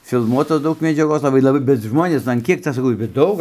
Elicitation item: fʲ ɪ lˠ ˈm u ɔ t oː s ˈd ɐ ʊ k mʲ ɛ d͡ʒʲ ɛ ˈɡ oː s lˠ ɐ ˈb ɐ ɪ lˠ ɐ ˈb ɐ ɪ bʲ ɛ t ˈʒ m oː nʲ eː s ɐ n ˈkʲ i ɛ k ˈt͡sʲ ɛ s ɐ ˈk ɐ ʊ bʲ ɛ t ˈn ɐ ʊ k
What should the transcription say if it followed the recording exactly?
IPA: fʲ ɪ lˠ ˈm u ɔ t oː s ˈd ɐ ʊ k mʲ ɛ d͡ʒʲ ɛ ˈɡ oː s lˠ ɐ ˈb ɐ ɪ lˠ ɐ ˈb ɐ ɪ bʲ ɛ t ˈʒ m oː nʲ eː s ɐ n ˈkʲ i ɛ k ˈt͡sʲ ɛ s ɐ ˈk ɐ ʊ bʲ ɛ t ˈd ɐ ʊ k